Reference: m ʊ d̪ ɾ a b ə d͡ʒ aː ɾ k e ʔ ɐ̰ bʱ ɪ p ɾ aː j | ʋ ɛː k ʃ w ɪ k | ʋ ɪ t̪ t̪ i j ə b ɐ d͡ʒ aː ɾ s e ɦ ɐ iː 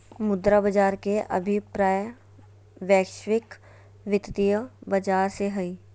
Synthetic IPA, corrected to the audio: m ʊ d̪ ɾ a b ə d͡ʒ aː ɾ k e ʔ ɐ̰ bʱ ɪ p ɾ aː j | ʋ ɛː k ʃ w ɪ k | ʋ ɪ t̪ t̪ i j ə b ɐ d͡ʒ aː ɾ s e ɦ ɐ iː